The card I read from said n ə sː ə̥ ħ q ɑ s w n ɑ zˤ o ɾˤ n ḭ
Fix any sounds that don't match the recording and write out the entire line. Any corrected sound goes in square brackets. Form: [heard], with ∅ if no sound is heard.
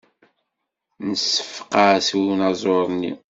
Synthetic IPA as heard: n ə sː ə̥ [f] q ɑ s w n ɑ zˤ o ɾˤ n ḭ